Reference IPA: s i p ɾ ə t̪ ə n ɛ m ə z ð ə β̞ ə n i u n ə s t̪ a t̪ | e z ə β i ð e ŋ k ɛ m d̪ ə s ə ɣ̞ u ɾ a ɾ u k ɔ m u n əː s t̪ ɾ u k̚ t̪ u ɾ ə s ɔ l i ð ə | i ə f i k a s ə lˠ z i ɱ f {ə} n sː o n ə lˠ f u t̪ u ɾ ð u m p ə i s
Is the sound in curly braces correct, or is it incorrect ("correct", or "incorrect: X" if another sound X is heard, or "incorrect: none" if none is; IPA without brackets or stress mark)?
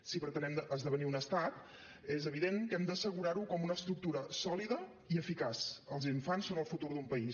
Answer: incorrect: a